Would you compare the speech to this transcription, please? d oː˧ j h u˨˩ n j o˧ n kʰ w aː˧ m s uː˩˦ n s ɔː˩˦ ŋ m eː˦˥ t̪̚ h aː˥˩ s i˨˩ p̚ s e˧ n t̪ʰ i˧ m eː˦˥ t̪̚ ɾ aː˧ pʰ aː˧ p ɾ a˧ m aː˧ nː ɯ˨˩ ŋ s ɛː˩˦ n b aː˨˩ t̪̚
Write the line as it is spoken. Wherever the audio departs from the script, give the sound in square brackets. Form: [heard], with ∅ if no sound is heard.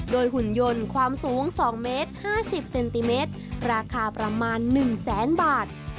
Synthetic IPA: d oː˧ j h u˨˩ n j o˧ n kʰ w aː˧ m s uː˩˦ [ŋ] s ɔː˩˦ ŋ m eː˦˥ t̪̚ h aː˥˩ s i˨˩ p̚ s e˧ n [t̪] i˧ m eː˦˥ t̪̚ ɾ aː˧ [kʰ] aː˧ p ɾ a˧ m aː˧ nː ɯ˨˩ ŋ s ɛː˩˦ n b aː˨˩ t̪̚